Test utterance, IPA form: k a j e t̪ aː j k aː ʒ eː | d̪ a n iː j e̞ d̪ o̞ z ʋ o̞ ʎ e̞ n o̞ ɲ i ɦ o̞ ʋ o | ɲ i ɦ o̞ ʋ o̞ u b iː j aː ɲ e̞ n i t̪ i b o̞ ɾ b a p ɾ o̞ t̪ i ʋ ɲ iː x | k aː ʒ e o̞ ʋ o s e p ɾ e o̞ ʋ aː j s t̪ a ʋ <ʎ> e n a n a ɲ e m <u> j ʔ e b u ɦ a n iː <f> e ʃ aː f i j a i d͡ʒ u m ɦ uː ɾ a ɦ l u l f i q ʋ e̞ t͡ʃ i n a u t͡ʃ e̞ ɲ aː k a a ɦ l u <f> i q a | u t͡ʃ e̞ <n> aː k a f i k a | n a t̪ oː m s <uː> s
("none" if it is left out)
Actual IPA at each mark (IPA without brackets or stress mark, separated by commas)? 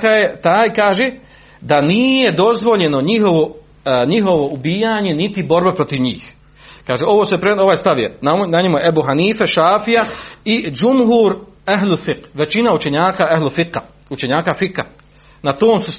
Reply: j, u, f, f, ɲ, u